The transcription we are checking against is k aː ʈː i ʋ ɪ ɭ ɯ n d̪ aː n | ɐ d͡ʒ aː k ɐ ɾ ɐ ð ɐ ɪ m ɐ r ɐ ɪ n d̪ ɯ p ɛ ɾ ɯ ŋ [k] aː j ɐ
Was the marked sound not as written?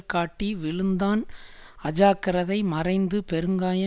yes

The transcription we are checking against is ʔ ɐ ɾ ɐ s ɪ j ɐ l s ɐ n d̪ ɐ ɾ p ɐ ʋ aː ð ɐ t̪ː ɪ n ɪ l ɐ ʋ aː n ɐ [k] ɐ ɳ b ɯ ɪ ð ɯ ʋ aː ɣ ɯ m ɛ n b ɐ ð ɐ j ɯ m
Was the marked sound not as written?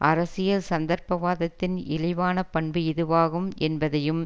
yes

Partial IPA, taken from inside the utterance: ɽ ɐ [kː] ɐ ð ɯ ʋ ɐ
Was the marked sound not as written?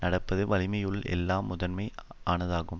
yes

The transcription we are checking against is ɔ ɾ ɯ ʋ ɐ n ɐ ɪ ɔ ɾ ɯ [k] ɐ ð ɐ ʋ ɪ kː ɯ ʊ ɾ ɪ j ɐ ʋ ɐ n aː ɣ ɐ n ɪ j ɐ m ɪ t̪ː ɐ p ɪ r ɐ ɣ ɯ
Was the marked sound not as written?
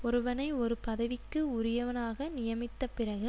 yes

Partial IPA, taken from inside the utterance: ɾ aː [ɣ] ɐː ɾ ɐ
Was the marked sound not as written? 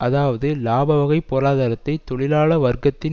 yes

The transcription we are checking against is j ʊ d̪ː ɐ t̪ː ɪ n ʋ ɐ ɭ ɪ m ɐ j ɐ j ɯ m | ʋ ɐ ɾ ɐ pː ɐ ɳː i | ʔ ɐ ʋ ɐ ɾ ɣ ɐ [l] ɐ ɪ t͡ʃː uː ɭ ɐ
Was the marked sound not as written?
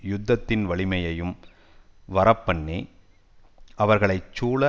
yes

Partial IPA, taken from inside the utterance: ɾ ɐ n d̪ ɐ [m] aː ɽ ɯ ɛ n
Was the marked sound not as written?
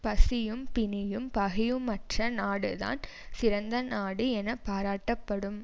yes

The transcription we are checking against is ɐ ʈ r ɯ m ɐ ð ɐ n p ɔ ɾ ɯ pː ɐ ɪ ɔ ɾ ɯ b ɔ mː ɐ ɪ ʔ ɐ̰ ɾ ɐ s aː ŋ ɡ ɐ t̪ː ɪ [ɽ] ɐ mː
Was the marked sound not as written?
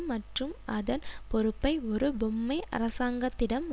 no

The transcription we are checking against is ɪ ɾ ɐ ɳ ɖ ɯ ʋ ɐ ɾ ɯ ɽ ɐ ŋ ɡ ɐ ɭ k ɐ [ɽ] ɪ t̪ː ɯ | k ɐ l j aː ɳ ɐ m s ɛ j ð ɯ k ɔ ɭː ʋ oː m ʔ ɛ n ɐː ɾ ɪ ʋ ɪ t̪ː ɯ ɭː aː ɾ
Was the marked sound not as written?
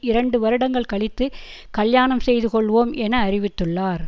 yes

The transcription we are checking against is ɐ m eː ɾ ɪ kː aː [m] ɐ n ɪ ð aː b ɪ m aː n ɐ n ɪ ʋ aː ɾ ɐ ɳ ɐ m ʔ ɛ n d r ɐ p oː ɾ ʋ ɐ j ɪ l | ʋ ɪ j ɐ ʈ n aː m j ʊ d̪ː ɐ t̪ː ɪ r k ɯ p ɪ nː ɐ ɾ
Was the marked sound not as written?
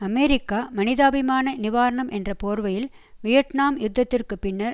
no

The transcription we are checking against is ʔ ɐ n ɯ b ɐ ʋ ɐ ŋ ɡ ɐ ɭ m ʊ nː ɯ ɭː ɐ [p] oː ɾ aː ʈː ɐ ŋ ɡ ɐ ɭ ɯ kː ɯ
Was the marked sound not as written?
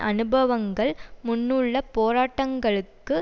no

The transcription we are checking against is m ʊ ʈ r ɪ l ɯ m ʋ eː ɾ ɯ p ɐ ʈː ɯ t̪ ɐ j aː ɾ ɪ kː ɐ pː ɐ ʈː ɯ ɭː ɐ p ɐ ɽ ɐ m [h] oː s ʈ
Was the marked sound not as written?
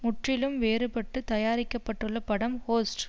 no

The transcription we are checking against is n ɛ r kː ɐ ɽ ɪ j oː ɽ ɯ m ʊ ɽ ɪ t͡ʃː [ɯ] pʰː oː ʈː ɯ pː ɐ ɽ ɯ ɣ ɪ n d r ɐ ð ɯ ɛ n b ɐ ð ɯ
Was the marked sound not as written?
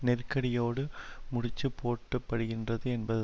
no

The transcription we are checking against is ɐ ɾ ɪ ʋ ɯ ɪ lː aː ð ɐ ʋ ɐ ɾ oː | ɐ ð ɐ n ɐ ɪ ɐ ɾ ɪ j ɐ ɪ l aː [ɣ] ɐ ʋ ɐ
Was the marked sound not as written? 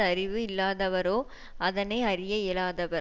yes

